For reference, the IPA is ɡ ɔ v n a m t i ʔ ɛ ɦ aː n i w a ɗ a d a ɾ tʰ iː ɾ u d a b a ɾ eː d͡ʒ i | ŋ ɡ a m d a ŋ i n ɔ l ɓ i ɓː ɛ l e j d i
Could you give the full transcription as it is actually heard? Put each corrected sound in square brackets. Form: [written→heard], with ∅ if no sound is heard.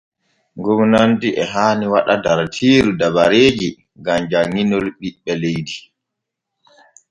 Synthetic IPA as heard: ɡ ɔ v n a [m→n] t i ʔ ɛ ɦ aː n i w a ɗ a d a ɾ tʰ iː ɾ u d a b a ɾ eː d͡ʒ i | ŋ ɡ a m [d→d͡ʒ] a ŋ i n ɔ l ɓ i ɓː ɛ l e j d i